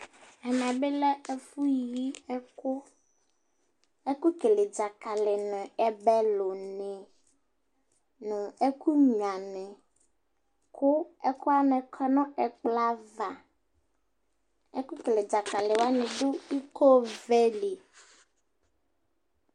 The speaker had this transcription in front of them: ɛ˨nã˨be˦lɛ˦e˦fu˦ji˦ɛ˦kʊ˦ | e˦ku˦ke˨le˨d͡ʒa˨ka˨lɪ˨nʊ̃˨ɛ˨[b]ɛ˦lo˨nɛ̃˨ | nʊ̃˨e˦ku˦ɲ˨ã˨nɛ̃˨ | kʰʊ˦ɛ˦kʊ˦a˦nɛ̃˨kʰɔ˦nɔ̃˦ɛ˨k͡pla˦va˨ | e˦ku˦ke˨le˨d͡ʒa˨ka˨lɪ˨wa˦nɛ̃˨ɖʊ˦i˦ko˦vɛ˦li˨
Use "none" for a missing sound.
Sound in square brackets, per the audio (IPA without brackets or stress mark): b